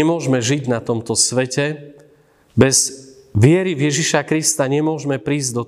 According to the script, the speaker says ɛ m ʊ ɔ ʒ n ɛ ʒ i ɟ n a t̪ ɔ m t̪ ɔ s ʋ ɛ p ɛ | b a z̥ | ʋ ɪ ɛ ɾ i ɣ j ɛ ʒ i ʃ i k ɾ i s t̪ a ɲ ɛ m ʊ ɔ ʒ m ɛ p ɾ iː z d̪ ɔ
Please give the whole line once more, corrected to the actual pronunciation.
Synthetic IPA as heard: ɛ m ʊ ɔ ʒ m ɛ ʒ i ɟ n a t̪ ɔ m t̪ ɔ s ʋ ɛ c ɛ | b ɛ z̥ | ʋ ɪ ɛ ɾ i v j ɛ ʒ i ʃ a k ɾ i s t̪ a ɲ ɛ m ʊ ɔ ʒ m ɛ p ɾ iː z d̪ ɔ